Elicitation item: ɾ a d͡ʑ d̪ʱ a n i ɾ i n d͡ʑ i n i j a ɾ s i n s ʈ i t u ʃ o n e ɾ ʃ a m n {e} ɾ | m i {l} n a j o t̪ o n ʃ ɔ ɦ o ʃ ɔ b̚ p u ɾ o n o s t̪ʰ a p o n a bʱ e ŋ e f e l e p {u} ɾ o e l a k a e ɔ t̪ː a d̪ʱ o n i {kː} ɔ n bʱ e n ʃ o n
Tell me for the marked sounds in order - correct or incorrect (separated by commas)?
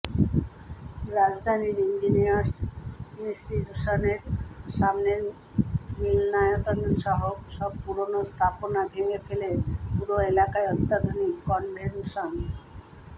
correct, correct, correct, correct